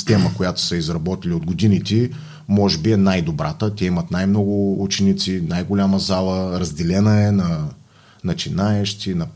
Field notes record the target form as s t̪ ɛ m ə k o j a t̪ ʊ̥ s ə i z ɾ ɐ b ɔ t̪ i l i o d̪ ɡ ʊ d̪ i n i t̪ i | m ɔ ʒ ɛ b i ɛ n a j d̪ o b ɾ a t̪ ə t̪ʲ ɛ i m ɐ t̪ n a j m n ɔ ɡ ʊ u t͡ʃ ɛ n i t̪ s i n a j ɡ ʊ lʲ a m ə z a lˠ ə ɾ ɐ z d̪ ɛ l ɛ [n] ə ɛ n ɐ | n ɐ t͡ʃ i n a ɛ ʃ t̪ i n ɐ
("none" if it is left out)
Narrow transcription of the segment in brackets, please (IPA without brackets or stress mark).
n